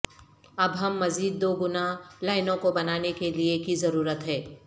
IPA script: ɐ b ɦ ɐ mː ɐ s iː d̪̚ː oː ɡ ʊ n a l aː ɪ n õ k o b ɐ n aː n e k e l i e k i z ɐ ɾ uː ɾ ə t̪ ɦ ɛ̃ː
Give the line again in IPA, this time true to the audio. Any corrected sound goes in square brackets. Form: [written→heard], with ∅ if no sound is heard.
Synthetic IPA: ɐ b ɦ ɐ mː ɐ [s→z] iː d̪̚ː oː ɡ ʊ n a l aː ɪ n õ k o b ɐ n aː n e k e l i e k i z ɐ ɾ uː ɾ ə t̪ ɦ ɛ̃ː